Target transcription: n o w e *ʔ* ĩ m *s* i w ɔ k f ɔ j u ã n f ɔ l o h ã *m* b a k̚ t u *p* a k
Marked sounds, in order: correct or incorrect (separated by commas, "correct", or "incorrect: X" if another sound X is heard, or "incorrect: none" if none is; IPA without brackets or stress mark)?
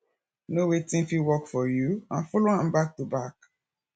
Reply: incorrect: t, incorrect: f, correct, incorrect: b